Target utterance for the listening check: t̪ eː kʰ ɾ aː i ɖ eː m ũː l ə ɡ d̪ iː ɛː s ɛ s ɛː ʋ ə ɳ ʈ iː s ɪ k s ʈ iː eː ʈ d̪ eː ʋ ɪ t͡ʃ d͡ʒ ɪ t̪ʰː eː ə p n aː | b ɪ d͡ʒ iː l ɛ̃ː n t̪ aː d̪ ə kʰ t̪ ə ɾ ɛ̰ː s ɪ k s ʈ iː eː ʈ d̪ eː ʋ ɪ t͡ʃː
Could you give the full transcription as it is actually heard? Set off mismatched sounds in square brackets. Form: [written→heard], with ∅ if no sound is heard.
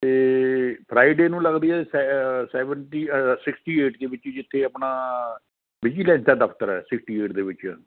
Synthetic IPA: t̪ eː [kʰ→pʰ] ɾ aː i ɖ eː [m→n] ũː l ə ɡ d̪ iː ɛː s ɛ s ɛː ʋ ə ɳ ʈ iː s ɪ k s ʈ iː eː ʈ d̪ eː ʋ ɪ t͡ʃ d͡ʒ ɪ t̪ʰː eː ə p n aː | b ɪ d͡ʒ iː l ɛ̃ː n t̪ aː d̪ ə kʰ t̪ ə ɾ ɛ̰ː s ɪ k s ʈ iː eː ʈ d̪ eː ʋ ɪ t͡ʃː